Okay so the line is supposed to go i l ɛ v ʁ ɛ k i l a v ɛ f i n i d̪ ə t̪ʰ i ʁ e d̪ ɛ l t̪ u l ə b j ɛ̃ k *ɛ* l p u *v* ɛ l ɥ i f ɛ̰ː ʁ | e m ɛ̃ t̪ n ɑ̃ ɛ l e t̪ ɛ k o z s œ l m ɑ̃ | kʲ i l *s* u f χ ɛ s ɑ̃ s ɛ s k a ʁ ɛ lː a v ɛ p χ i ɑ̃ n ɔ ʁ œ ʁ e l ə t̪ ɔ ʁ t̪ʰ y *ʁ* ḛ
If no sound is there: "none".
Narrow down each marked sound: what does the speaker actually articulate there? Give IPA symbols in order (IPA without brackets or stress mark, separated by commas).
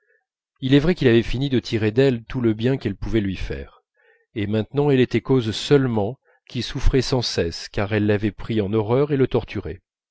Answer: ɛ, v, s, ʁ